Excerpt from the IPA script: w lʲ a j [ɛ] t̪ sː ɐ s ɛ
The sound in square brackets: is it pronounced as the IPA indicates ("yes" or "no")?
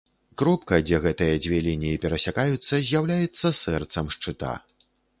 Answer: yes